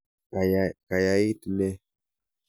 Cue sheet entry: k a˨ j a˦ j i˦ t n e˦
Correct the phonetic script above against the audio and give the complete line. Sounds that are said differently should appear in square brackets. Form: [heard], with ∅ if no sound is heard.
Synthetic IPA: k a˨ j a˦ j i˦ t n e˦